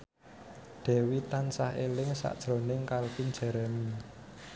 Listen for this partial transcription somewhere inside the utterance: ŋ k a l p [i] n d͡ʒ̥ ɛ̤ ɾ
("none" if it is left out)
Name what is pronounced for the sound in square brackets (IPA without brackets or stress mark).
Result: i